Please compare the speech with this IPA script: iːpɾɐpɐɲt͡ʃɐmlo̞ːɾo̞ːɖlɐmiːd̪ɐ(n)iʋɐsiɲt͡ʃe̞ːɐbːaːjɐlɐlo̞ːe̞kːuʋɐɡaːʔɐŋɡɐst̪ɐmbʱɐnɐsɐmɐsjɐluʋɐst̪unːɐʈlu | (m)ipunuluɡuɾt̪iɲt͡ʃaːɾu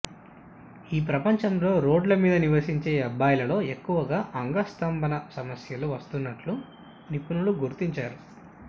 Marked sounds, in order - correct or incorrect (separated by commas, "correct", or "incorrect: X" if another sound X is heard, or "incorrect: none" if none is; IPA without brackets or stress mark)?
correct, incorrect: n